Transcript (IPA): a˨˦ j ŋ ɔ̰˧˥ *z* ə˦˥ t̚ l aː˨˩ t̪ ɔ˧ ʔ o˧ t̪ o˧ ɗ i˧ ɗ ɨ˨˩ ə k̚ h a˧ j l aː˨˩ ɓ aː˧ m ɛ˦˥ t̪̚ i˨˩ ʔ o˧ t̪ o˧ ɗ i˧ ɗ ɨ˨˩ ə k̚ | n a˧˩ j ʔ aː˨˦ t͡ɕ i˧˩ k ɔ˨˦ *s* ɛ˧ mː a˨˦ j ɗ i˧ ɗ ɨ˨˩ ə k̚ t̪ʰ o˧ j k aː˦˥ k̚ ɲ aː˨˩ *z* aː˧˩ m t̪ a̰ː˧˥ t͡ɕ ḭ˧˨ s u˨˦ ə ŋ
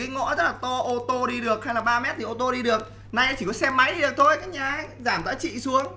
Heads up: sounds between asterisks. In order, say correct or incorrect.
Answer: correct, correct, correct

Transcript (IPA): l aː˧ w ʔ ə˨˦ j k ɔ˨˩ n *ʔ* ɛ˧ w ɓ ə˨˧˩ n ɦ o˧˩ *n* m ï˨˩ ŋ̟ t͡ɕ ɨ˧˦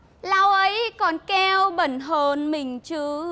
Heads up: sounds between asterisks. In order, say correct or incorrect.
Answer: incorrect: k, correct

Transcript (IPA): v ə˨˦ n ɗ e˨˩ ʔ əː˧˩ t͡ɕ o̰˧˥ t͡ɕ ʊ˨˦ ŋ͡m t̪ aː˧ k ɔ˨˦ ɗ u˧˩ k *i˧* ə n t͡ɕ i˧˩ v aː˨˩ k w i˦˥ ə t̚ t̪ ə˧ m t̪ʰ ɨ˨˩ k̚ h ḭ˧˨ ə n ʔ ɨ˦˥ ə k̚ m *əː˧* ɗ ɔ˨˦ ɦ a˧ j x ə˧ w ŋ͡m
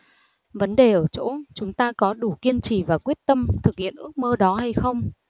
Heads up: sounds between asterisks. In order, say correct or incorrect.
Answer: correct, correct

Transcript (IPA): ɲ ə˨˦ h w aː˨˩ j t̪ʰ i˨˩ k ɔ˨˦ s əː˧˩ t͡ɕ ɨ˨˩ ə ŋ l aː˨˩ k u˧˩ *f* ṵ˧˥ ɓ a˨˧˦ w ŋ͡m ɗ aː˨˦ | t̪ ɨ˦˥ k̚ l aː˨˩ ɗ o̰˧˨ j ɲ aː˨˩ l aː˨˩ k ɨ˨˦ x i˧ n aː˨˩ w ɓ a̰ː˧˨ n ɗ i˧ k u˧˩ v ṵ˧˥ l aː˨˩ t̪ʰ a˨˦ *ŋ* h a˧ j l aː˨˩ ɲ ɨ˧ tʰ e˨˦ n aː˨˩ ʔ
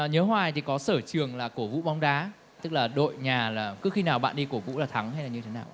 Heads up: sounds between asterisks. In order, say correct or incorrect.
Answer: incorrect: v, correct

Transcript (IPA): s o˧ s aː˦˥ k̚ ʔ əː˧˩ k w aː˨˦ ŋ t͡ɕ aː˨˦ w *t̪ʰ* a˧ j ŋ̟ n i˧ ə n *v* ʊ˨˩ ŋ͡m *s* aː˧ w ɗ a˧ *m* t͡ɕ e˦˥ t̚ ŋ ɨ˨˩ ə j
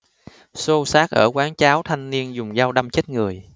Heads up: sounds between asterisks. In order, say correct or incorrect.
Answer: correct, incorrect: z, incorrect: z, correct

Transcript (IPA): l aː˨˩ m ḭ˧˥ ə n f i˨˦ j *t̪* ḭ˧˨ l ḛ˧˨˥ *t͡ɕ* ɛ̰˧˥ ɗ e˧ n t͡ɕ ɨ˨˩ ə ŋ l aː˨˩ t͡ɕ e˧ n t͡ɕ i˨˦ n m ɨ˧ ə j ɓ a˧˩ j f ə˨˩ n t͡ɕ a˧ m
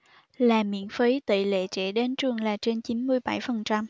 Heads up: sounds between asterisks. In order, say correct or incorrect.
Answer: correct, correct

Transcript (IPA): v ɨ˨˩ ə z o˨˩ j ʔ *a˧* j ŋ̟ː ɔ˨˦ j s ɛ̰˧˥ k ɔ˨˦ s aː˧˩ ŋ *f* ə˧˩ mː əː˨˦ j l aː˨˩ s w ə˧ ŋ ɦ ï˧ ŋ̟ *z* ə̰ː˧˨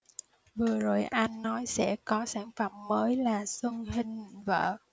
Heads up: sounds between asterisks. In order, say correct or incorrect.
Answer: correct, correct, incorrect: v

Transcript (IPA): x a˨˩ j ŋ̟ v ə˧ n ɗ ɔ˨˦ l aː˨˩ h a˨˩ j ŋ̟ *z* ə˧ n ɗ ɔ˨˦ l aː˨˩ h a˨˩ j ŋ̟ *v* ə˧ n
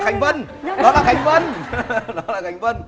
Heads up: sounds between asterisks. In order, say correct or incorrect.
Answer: incorrect: v, correct

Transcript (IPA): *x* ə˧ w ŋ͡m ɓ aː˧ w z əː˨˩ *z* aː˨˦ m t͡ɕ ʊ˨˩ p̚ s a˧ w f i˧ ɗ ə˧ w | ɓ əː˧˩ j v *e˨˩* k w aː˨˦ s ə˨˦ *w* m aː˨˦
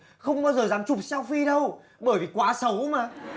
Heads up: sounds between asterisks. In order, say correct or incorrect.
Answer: correct, correct, incorrect: i˨˩, correct

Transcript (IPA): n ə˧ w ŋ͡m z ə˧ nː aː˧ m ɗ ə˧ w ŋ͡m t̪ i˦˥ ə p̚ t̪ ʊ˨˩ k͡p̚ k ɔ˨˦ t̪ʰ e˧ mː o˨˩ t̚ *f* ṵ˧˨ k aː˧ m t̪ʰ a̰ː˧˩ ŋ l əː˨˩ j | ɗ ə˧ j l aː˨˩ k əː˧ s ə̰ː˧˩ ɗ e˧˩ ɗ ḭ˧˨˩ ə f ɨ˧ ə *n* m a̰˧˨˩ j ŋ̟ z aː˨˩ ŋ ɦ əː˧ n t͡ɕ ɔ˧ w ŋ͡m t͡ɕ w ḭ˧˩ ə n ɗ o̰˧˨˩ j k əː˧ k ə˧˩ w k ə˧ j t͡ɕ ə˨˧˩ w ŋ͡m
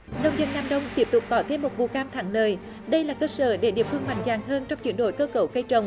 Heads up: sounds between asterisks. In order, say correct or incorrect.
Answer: incorrect: v, incorrect: ŋ

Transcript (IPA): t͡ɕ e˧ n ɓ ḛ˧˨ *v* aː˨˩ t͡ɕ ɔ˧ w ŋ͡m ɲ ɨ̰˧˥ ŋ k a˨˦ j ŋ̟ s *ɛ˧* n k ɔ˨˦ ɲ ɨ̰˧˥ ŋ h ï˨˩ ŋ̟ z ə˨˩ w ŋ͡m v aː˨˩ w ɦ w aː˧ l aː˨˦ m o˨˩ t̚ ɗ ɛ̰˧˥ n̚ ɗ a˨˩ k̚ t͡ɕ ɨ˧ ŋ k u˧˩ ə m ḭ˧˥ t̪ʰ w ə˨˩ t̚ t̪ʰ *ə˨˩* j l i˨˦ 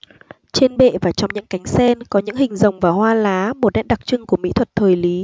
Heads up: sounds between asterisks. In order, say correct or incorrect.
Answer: correct, correct, incorrect: əː˨˩

